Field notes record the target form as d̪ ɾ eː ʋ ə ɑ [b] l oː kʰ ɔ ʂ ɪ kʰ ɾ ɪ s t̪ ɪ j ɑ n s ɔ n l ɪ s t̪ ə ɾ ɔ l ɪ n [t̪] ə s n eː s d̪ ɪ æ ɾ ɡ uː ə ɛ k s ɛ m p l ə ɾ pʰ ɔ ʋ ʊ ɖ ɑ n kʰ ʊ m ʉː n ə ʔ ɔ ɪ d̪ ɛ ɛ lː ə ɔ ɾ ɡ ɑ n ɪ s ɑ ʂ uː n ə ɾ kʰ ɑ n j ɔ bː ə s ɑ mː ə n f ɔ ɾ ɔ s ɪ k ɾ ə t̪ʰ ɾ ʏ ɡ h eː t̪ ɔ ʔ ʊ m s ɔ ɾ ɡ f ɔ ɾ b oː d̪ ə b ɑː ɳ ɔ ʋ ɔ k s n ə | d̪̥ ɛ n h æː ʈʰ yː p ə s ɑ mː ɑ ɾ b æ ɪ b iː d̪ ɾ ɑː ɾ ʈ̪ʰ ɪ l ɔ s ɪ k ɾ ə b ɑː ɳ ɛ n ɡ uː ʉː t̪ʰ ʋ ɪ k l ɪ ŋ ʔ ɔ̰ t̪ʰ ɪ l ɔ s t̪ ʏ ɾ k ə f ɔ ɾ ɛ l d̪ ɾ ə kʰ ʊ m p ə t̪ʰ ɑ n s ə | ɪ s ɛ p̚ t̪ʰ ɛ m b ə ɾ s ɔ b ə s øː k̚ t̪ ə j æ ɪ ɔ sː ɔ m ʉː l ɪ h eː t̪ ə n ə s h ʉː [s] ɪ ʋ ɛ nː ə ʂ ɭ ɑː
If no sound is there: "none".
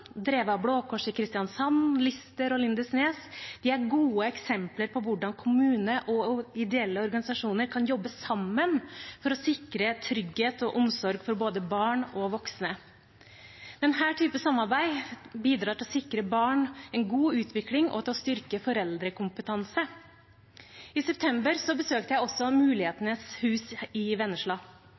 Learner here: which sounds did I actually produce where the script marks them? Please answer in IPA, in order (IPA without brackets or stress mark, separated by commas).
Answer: b, d̪, s